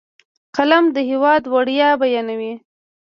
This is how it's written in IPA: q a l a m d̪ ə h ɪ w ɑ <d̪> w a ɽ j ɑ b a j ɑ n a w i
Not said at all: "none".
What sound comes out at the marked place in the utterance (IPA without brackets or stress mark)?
d̪